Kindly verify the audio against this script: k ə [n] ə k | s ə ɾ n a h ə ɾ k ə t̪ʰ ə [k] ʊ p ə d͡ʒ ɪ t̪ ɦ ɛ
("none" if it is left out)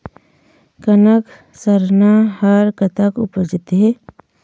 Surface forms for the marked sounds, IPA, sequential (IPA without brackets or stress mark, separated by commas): n, k